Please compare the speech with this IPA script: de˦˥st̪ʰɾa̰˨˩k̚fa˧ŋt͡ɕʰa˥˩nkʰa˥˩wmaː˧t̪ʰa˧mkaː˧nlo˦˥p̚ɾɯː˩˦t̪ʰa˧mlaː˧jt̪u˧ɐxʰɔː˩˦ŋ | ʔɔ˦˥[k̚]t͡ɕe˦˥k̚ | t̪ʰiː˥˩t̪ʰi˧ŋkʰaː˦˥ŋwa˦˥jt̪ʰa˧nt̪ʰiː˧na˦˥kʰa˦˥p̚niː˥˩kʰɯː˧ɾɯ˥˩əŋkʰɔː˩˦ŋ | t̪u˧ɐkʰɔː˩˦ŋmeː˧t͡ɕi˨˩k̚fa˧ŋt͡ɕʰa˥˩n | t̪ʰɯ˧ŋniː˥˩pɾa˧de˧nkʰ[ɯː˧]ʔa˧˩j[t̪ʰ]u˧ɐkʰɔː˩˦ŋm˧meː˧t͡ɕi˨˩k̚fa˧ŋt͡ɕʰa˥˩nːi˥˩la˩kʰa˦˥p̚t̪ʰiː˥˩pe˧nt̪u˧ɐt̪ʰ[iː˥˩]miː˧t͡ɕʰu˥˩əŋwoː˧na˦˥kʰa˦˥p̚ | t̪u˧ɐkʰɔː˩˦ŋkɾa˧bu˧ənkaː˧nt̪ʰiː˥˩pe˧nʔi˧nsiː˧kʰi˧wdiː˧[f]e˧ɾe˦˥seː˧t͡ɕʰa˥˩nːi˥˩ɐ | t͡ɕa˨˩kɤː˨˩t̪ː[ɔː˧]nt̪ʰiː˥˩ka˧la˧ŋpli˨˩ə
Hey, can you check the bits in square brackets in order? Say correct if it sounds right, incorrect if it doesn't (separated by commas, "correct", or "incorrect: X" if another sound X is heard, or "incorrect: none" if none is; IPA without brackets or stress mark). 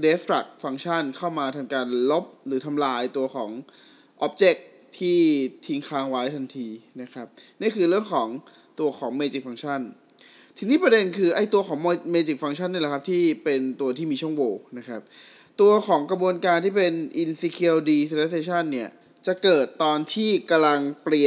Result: incorrect: p̚, correct, incorrect: t̪, correct, incorrect: s, correct